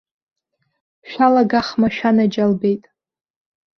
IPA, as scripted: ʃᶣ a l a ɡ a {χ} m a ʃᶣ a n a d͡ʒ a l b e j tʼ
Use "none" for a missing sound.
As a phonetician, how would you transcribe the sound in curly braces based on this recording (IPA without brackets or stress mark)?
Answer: χ